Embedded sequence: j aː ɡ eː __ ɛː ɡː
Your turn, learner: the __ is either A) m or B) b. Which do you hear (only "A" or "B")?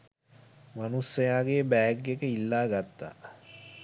B